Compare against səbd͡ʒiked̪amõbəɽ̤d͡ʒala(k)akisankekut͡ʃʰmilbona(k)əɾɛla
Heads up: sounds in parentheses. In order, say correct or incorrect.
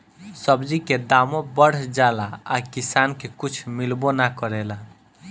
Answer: incorrect: none, correct

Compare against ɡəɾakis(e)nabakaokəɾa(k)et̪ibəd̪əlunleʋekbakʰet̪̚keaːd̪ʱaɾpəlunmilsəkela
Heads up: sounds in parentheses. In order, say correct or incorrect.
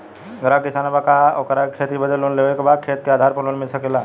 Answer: incorrect: a, incorrect: kʰ

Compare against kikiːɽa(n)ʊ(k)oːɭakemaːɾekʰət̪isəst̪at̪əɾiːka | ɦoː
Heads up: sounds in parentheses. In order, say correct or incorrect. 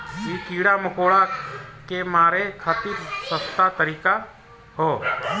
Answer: incorrect: m, correct

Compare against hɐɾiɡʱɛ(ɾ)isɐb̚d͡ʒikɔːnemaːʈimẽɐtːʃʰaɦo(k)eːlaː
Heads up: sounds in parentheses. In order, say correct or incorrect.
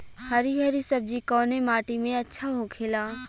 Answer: correct, incorrect: kʰ

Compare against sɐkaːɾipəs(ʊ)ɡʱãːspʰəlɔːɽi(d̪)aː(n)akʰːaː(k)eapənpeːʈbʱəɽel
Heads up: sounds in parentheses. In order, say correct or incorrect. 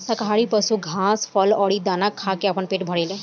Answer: incorrect: u, correct, correct, correct

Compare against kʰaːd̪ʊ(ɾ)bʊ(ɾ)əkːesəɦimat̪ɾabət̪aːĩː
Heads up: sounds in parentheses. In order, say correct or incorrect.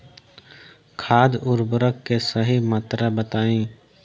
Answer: correct, correct

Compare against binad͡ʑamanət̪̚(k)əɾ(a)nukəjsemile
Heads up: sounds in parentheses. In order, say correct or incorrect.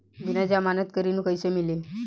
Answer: correct, incorrect: i

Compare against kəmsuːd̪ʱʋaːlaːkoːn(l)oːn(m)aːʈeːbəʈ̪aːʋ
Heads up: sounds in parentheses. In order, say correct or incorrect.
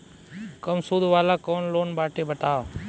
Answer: correct, incorrect: b

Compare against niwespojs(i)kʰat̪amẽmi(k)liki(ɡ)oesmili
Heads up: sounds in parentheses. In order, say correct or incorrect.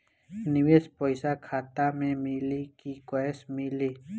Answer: incorrect: a, incorrect: none, incorrect: k

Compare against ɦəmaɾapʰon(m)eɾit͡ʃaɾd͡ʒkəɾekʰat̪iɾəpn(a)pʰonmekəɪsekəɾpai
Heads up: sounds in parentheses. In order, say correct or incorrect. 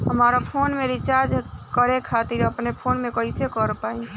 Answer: correct, incorrect: e

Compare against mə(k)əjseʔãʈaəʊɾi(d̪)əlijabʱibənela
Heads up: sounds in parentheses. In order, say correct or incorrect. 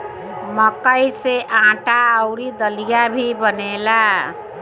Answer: correct, correct

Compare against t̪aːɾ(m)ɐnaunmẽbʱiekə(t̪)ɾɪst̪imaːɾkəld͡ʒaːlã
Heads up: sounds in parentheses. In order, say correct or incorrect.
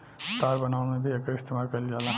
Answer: incorrect: b, incorrect: none

